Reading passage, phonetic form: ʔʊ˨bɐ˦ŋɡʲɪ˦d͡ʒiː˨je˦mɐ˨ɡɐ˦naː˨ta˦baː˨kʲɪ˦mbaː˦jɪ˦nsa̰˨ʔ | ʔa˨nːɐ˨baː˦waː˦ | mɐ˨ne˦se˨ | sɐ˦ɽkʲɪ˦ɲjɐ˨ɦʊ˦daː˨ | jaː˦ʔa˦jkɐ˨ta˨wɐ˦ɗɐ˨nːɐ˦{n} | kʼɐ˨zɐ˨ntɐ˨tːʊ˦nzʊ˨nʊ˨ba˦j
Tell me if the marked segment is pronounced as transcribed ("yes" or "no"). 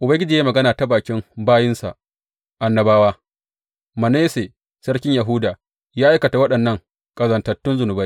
no